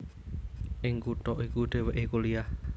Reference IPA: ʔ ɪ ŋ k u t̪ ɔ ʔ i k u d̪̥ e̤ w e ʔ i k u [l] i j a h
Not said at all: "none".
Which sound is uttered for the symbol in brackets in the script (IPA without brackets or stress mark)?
l